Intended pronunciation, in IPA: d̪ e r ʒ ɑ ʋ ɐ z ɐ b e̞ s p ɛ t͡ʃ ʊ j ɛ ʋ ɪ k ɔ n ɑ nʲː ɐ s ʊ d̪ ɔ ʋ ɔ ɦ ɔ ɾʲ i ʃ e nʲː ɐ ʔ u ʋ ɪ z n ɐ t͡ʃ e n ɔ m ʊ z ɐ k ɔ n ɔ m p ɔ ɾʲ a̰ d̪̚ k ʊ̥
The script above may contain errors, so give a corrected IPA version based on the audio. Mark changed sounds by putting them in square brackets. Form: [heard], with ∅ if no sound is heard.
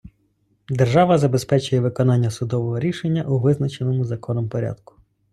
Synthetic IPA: d̪ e r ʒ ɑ ʋ ɐ z ɐ b e̞ s p ɛ t͡ʃ ʊ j ɛ ʋ ɪ k ɔ n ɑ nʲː ɐ s ʊ d̪ ɔ ʋ ɔ ɦ ɔ ɾʲ i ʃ e nʲː ɐ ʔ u ʋ ɪ z n ɐ t͡ʃ e n ɔ m ʊ z ɐ k ɔ n ɔ m p ɔ ɾʲ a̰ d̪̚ k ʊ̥